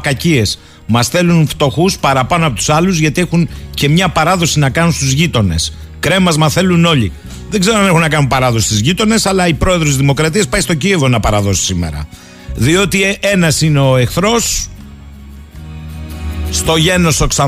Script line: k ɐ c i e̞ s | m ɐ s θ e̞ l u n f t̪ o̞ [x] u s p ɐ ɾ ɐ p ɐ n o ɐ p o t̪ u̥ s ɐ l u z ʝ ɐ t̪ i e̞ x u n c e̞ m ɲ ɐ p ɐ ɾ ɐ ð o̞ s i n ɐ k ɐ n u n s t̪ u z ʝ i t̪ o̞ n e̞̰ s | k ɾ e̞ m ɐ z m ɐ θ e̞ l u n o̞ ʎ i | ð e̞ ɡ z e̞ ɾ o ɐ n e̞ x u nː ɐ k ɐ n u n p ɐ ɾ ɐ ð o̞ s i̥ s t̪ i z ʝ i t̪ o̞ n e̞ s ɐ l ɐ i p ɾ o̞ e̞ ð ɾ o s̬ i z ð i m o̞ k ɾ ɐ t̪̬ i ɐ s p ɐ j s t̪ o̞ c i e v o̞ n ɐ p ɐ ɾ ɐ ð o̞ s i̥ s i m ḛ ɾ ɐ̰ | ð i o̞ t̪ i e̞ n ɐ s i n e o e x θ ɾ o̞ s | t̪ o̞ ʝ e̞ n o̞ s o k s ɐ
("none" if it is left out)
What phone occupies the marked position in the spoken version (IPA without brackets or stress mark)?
x